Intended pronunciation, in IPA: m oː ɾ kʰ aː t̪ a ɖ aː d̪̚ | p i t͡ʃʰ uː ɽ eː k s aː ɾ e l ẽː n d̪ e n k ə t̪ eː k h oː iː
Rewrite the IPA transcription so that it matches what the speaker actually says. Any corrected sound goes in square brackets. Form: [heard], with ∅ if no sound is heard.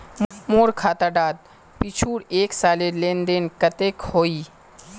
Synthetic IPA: m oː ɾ kʰ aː t̪ a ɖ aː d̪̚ | p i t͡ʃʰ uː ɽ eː k s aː [l] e l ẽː n d̪ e n k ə t̪ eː k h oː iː